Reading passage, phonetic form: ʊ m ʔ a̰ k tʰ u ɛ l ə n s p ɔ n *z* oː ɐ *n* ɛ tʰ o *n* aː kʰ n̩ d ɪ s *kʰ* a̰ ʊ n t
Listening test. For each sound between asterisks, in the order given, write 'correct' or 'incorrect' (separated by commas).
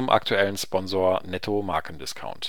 correct, correct, incorrect, correct